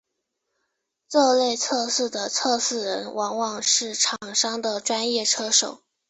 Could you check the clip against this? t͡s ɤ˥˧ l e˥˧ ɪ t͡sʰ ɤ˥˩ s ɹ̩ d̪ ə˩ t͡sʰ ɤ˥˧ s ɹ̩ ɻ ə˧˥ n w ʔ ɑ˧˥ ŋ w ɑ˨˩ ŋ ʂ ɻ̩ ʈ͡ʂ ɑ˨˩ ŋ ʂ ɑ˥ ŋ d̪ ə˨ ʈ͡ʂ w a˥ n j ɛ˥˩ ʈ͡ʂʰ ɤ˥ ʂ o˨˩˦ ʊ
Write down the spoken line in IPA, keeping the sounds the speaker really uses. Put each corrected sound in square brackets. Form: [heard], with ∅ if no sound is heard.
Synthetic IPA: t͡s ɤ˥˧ l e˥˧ ɪ t͡sʰ [ɤ˥˧] s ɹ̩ d̪ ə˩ t͡sʰ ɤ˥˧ s ɹ̩ ɻ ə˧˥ n w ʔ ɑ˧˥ ŋ w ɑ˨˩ ŋ ʂ ɻ̩ [ʈ͡ʂʰ] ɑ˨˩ ŋ ʂ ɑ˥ ŋ d̪ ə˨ ʈ͡ʂ w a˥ n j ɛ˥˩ ʈ͡ʂʰ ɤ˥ ʂ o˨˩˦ ʊ